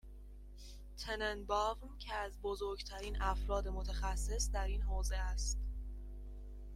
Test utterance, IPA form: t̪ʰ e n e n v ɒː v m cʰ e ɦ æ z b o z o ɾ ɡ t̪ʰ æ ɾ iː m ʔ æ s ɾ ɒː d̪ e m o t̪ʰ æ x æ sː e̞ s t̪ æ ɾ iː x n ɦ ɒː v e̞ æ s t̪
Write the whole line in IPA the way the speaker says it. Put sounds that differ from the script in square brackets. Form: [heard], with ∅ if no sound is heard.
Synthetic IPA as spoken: t̪ʰ e n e n [b] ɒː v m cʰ e [∅] æ z b o z o ɾ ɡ t̪ʰ æ ɾ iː [n] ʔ æ [f] ɾ ɒː d̪ e m o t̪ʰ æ x æ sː e̞ s [d̪] æ ɾ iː [∅] n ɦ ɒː [z] e̞ æ s t̪